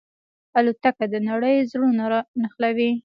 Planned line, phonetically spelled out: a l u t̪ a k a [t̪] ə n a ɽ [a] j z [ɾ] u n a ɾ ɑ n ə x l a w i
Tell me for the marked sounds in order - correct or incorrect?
incorrect: d̪, incorrect: ə, incorrect: ɽ

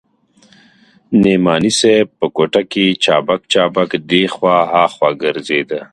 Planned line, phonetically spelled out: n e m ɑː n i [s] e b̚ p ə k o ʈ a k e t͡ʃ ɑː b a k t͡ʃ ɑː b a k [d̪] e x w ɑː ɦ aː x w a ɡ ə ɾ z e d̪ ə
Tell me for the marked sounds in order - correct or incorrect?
correct, correct

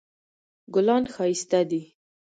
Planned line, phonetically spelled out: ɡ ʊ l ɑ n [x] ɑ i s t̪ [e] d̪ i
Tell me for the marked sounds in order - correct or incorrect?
correct, incorrect: a

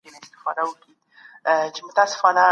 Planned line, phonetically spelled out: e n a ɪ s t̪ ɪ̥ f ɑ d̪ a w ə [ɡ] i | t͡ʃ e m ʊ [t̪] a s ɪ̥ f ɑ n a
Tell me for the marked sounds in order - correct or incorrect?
incorrect: k, correct

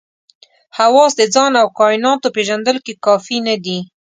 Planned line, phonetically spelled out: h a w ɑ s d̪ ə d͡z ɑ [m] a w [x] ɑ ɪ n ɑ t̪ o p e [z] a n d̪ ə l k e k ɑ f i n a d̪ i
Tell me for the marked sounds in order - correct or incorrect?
incorrect: n, incorrect: k, incorrect: ʒ

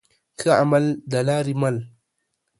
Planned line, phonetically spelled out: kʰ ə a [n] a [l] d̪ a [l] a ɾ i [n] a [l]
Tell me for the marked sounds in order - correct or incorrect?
incorrect: m, correct, correct, incorrect: m, correct

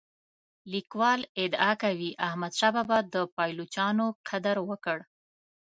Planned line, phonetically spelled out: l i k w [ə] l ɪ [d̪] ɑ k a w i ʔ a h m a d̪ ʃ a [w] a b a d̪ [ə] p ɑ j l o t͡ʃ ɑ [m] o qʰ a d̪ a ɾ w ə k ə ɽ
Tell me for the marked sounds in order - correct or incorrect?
incorrect: ɑ, correct, incorrect: b, correct, incorrect: n

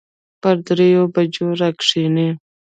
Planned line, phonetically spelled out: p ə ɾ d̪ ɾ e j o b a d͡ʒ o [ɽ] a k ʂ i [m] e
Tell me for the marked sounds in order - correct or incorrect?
incorrect: ɾ, incorrect: n

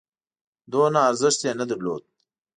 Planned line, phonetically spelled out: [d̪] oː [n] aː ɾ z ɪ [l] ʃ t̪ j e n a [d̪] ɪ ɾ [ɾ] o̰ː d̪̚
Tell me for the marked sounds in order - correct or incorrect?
correct, correct, incorrect: none, correct, incorrect: l

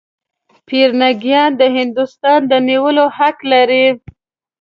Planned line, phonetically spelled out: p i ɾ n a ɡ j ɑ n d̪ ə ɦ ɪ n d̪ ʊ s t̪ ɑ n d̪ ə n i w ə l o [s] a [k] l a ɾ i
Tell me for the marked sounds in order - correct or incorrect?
incorrect: h, correct

